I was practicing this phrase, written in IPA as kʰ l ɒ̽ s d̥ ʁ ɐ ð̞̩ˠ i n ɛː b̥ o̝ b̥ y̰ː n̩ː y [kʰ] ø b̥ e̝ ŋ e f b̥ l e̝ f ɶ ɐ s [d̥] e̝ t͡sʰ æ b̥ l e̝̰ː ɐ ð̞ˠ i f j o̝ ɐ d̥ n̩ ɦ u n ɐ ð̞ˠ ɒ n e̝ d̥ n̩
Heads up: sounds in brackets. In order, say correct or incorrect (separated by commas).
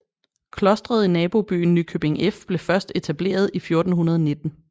correct, correct